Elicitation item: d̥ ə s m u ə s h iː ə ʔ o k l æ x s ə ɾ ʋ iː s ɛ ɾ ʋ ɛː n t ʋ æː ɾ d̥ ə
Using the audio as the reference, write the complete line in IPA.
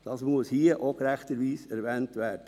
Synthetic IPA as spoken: d̥ ɑ s m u ə s h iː ə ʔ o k ɾ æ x t ə ɾ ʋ iː s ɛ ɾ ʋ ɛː n t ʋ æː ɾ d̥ ə